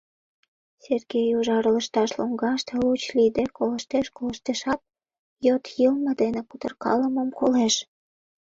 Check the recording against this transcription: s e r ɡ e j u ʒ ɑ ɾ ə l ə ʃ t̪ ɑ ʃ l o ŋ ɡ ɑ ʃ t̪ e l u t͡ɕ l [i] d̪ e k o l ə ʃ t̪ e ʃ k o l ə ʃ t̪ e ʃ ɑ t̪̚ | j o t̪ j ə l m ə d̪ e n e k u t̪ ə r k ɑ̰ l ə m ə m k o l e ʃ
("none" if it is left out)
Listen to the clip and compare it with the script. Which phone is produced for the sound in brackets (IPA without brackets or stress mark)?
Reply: i